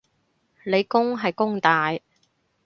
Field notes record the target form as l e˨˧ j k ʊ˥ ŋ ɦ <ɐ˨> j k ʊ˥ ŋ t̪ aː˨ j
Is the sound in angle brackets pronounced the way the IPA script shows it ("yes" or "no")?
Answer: yes